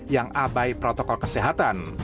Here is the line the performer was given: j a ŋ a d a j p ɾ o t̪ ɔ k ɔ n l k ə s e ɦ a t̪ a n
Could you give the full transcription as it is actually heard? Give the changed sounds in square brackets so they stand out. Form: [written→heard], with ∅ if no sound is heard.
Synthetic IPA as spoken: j a ŋ a [d→b] a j p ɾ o t̪ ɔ k ɔ [n→∅] l k ə s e ɦ a t̪ a n